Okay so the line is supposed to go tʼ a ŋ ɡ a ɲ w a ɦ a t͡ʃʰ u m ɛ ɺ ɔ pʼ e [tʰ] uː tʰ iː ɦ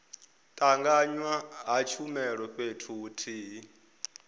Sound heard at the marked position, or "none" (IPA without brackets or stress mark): tʰ